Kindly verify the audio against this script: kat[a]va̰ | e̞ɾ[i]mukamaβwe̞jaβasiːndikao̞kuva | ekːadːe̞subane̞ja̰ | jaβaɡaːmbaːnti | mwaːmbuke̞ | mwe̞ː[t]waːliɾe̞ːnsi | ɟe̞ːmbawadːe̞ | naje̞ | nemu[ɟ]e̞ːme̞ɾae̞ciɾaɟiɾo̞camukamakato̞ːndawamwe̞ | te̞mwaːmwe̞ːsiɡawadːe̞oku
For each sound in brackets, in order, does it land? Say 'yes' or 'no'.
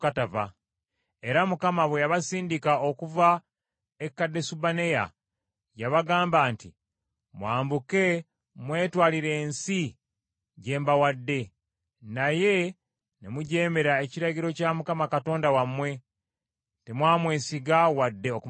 yes, no, yes, yes

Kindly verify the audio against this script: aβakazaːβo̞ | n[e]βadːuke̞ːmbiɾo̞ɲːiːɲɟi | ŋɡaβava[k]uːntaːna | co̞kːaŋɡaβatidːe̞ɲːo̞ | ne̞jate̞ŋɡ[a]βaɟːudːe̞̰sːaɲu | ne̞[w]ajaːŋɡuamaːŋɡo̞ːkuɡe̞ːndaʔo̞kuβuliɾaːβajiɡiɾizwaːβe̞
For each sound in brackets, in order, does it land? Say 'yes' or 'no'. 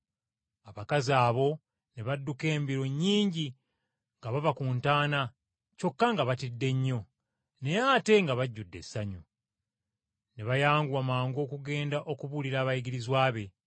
yes, yes, yes, no

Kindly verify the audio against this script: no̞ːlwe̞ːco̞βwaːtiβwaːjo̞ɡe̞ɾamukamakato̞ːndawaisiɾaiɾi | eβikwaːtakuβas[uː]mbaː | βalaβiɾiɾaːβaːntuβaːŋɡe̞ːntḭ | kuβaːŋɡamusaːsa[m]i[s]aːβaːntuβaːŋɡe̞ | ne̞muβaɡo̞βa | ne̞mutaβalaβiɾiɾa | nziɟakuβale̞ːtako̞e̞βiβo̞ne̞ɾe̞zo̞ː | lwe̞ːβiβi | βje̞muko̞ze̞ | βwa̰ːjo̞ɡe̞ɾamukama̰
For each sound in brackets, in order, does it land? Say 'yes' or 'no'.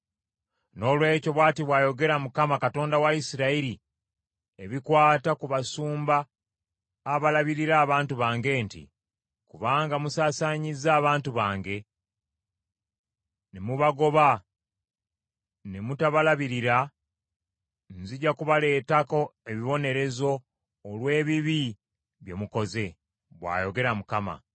yes, no, no

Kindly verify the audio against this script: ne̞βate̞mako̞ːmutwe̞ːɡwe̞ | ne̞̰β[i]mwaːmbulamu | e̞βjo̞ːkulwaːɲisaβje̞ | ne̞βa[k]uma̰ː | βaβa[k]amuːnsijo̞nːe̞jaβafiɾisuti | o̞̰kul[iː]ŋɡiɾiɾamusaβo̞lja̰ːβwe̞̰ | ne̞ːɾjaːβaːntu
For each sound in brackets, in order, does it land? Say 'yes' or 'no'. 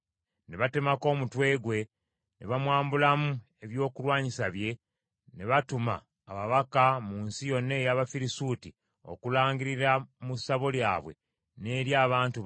no, no, yes, no

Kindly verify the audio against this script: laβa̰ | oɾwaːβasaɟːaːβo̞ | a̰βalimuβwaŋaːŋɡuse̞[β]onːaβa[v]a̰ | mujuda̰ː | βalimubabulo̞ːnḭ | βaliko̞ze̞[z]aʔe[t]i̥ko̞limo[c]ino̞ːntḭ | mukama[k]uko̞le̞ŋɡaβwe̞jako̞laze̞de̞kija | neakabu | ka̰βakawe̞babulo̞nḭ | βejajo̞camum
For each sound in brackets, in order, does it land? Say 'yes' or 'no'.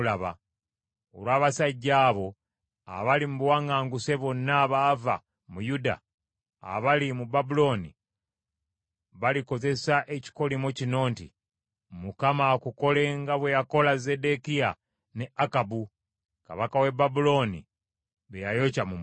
yes, yes, no, no, yes, yes

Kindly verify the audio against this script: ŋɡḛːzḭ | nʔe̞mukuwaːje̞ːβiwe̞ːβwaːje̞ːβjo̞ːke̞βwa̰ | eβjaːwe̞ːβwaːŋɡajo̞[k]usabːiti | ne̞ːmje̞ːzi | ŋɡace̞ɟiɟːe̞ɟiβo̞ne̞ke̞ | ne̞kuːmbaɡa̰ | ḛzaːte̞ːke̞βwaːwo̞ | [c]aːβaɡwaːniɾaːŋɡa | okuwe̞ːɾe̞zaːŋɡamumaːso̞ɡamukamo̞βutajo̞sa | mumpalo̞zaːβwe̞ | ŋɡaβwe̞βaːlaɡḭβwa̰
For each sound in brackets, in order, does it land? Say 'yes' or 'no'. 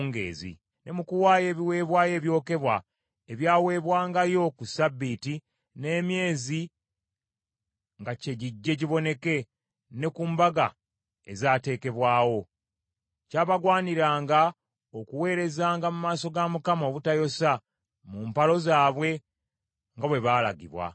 yes, yes

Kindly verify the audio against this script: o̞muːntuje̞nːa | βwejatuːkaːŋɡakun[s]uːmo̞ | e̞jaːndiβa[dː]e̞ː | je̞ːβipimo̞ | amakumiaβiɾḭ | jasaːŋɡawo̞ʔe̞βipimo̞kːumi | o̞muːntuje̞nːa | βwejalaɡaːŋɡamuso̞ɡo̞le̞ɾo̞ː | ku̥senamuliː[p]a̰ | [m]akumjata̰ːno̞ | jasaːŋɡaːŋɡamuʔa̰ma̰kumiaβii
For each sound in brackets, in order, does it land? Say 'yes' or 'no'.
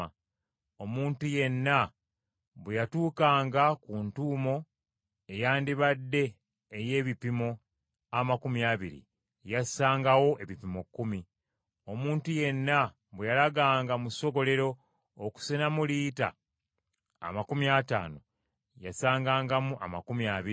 no, yes, no, yes

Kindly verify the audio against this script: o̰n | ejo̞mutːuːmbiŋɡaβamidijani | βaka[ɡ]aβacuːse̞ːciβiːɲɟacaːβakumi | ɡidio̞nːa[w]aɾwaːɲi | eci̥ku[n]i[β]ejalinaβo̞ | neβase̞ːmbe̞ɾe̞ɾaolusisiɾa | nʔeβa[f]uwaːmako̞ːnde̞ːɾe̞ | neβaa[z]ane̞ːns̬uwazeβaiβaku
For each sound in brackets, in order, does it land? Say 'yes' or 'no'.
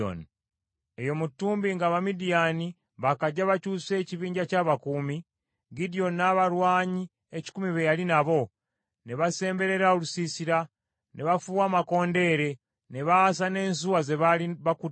no, no, no, yes, yes, no

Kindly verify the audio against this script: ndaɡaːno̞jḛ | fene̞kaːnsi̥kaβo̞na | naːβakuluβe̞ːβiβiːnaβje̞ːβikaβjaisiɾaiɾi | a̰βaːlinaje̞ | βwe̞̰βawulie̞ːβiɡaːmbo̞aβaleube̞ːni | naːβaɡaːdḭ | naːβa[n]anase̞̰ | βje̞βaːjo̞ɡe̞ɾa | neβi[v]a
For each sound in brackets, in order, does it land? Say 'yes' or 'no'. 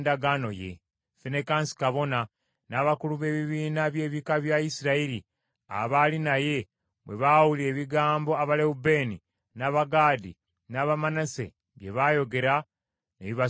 no, no

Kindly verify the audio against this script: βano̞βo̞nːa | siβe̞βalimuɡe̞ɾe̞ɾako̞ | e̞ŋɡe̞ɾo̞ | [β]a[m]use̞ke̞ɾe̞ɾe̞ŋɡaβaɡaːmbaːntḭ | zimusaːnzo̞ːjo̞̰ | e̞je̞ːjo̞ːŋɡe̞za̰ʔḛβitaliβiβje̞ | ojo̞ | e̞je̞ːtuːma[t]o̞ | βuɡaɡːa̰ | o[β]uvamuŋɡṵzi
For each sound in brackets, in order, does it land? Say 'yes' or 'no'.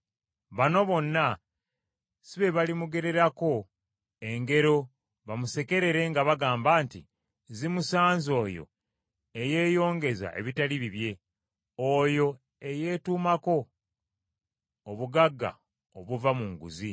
yes, yes, no, yes

